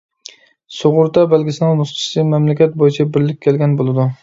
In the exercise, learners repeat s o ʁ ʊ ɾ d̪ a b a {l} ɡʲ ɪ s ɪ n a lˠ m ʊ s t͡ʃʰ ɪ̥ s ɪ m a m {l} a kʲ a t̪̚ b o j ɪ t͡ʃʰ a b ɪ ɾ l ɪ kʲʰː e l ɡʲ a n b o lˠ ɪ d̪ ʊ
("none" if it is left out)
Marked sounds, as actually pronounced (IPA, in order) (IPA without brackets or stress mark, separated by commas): l, l